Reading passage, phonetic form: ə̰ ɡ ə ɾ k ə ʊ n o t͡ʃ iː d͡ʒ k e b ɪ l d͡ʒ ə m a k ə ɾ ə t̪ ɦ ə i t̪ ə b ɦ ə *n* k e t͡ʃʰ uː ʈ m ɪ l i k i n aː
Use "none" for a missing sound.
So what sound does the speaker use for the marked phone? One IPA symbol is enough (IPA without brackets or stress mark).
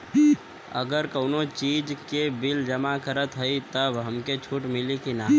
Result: m